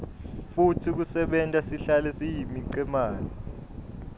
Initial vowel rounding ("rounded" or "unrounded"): rounded